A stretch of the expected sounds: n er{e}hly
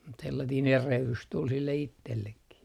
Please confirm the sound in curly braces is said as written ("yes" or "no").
yes